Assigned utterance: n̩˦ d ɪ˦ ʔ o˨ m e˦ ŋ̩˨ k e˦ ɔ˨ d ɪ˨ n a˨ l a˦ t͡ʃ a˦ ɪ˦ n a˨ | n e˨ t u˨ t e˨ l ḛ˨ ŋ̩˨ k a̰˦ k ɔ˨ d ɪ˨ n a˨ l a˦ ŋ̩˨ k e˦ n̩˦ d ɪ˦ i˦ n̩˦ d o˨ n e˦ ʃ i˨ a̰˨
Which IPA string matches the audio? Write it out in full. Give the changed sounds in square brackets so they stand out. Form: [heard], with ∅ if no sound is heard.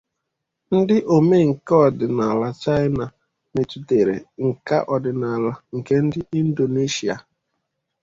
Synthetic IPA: n̩˦ d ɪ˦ ʔ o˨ m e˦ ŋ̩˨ k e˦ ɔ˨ d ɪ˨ n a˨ l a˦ t͡ʃ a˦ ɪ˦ n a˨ | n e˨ t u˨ t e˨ [ɾ] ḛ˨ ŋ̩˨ k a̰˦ [ʔ] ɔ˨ d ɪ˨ n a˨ l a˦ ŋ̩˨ k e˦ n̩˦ d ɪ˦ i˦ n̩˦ d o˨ n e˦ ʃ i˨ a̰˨